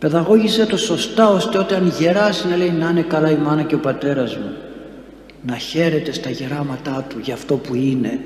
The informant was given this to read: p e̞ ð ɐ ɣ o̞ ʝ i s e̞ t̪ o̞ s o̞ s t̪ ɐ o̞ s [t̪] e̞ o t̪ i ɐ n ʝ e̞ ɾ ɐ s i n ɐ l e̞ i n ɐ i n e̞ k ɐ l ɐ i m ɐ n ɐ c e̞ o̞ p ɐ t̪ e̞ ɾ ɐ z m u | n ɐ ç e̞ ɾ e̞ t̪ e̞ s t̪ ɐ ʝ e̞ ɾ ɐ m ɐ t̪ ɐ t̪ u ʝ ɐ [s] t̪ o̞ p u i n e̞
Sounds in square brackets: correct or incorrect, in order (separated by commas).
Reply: correct, incorrect